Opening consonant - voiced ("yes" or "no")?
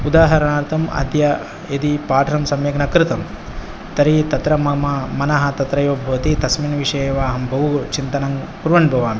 yes